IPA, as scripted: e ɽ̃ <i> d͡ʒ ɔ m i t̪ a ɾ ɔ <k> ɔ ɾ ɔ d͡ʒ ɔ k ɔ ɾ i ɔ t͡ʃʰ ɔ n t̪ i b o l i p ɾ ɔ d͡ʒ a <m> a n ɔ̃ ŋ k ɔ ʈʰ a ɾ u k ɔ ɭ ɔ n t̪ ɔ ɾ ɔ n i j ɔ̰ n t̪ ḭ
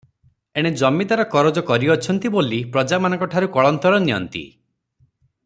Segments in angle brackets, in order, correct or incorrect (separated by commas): incorrect, correct, correct